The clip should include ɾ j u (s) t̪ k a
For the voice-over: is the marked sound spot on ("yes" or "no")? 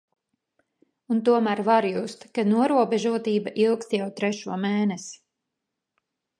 yes